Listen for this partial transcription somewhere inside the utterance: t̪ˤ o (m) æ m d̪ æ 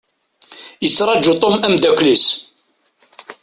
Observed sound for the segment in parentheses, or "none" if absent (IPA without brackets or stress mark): m